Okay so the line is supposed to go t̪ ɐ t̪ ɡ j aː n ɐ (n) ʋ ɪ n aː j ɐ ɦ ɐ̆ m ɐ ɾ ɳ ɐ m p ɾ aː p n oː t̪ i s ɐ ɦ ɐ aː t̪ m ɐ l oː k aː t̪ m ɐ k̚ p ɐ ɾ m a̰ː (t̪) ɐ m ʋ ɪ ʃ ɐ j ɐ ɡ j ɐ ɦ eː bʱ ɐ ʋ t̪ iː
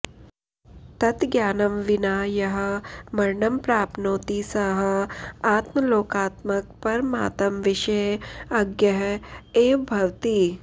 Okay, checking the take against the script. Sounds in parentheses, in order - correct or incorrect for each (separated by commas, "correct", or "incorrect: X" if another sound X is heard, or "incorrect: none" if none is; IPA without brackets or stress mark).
incorrect: m, correct